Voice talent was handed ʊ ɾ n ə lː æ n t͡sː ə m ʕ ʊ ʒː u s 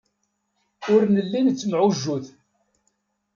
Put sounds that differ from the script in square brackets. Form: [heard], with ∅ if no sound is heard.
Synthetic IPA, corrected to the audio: ʊ ɾ n ə lː [i] n t͡sː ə m ʕ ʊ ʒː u [θ]